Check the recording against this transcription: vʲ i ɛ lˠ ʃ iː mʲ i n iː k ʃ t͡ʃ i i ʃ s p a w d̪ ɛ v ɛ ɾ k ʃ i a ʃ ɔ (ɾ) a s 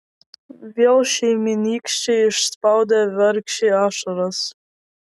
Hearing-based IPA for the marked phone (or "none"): ɾ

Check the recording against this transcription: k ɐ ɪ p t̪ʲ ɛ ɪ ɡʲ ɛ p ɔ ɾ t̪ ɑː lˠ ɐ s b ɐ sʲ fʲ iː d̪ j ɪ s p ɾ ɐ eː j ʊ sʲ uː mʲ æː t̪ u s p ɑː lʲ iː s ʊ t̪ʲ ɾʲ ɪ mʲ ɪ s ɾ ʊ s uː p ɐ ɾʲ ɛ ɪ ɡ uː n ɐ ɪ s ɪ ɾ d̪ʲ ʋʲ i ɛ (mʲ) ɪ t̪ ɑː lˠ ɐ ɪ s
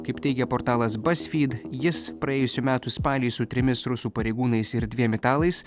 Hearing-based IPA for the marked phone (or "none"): mʲ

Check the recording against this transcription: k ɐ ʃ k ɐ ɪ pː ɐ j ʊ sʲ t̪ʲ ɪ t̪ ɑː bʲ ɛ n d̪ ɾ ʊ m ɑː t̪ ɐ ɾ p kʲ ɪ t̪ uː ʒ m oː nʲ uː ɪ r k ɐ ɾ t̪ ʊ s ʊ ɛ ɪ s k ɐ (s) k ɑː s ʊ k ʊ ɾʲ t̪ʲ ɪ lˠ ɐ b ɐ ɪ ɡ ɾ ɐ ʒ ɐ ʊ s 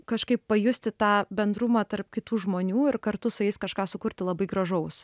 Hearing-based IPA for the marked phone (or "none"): ʃ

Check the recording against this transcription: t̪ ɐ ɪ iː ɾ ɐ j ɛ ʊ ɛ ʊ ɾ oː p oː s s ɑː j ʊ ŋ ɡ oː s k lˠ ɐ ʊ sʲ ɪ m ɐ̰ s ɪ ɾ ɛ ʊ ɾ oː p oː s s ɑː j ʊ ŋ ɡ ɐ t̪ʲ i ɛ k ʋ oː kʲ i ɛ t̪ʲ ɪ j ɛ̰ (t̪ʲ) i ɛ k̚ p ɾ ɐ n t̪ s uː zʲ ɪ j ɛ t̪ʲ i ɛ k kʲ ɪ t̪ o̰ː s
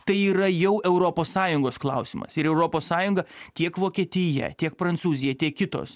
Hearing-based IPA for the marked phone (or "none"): t̪ʲ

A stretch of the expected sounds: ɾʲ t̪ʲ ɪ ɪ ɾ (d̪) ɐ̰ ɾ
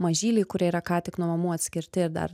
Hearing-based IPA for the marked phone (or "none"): d̪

